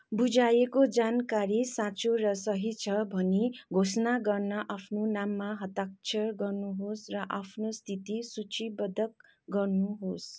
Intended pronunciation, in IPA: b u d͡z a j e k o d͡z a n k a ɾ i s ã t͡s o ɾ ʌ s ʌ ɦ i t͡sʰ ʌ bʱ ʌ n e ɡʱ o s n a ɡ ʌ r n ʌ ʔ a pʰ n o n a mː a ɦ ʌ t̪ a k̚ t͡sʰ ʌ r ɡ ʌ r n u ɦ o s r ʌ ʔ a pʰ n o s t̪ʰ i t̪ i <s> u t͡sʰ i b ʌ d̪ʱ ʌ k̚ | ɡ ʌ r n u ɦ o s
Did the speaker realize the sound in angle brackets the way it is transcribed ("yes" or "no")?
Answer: yes